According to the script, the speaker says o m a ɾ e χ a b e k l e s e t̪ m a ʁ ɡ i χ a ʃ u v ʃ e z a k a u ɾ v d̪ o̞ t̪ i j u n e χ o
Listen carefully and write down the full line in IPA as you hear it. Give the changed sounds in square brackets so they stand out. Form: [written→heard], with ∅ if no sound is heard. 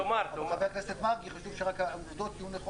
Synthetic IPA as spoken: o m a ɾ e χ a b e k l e s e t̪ m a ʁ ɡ i χ a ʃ u v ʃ e [z→ʁ] a k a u [ɾ→∅] v d̪ o̞ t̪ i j u n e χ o